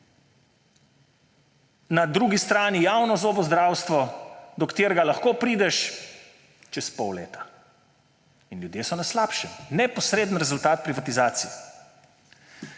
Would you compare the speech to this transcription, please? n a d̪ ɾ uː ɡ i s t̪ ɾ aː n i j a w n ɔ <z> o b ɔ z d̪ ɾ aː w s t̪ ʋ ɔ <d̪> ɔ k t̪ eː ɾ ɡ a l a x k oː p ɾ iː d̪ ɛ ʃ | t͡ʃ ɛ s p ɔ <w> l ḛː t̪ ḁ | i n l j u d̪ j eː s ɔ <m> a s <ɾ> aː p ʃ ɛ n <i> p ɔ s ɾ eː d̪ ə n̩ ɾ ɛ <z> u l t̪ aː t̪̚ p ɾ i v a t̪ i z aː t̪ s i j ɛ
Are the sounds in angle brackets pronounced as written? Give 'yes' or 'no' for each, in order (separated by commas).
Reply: yes, yes, yes, no, no, no, yes